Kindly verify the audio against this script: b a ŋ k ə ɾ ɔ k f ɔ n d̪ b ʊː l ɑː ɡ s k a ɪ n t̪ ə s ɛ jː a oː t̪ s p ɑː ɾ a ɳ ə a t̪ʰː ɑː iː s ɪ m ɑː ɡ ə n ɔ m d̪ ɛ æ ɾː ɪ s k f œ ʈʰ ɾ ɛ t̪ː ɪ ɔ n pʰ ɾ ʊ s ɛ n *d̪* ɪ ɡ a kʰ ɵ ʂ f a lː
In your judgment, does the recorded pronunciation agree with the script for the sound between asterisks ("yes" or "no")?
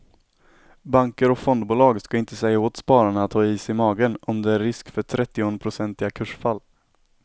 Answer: no